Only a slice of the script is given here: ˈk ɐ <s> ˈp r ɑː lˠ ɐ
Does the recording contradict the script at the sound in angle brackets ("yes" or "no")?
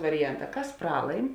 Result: no